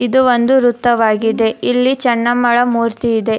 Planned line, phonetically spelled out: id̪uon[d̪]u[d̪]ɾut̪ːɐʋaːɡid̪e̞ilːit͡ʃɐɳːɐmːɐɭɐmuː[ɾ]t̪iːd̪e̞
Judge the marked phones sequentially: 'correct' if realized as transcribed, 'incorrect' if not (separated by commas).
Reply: correct, incorrect, correct